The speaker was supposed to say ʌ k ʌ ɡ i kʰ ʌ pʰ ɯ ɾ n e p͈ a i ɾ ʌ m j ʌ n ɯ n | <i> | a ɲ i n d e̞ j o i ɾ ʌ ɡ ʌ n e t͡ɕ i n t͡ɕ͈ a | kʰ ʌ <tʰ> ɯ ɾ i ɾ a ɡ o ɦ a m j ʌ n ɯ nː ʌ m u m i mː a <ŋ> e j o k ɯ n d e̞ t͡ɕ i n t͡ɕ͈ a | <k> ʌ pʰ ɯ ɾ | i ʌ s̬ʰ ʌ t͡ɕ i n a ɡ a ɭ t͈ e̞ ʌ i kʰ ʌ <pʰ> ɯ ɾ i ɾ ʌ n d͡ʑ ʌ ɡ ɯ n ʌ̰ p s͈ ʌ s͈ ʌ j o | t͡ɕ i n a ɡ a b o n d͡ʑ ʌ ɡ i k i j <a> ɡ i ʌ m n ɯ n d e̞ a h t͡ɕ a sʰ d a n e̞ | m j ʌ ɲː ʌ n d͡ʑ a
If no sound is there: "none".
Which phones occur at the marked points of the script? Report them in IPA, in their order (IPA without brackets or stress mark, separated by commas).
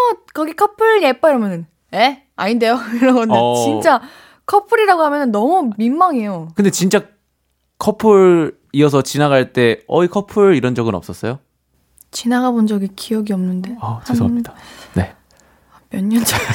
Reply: e, pʰ, ŋ, kʰ, pʰ, ʌ